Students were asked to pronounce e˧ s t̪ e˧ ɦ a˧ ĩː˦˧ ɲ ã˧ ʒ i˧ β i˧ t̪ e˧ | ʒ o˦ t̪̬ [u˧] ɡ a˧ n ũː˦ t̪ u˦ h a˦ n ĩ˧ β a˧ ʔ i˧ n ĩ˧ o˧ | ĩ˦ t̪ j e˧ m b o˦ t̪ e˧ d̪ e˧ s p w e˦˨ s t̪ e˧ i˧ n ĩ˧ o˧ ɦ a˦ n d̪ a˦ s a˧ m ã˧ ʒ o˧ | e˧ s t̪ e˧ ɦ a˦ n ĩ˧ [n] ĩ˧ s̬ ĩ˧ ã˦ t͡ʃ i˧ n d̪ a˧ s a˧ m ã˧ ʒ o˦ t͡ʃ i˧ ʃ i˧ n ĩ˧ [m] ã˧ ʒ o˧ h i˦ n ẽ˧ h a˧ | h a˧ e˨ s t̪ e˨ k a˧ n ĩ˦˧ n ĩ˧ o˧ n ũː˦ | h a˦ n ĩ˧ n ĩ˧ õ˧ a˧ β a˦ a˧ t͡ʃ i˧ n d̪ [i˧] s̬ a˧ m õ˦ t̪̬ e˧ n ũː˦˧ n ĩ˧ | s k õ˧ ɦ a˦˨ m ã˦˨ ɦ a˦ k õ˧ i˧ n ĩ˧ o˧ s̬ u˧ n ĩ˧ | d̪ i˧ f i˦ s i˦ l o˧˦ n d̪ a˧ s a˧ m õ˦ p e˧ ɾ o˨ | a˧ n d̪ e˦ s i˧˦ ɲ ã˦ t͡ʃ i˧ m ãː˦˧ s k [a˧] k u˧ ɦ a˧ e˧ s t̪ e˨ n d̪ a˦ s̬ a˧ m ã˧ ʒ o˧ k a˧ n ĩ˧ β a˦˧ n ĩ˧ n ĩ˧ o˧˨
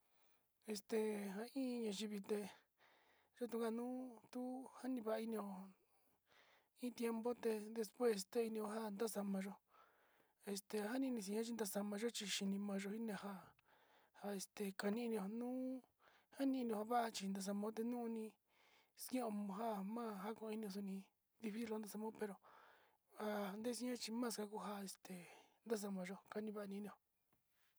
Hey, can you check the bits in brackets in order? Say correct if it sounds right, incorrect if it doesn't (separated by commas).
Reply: correct, correct, correct, incorrect, correct